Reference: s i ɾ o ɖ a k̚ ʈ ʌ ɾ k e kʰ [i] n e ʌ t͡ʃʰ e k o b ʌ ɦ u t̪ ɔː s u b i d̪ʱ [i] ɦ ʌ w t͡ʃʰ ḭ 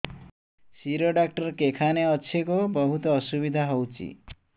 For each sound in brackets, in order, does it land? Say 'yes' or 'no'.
no, no

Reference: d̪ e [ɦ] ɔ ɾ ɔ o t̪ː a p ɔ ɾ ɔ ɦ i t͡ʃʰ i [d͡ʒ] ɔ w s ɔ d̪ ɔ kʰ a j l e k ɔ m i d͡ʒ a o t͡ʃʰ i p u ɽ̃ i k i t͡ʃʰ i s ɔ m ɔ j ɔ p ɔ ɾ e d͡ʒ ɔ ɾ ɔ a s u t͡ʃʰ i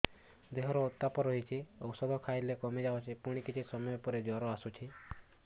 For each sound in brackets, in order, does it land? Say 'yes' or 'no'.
yes, no

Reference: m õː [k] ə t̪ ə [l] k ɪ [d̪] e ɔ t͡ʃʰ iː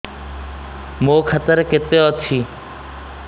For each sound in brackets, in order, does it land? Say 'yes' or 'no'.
no, no, no

